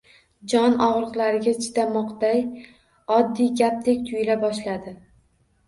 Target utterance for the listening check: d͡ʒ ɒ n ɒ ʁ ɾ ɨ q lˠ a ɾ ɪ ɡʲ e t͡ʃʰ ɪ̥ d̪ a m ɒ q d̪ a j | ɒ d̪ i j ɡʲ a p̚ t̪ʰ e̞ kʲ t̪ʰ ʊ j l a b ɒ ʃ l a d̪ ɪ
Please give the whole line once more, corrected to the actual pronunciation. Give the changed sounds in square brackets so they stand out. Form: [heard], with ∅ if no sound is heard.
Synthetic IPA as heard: d͡ʒ ɒ n ɒ ʁ ɾ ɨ q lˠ a ɾ ɪ ɡʲ [a] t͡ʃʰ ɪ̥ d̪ a m ɒ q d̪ a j | ɒ [d̪ː] i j ɡʲ a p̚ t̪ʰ e̞ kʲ t̪ʰ ʊ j l a b ɒ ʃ l a d̪ ɪ